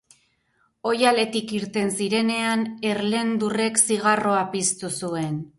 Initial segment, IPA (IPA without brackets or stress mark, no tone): o̞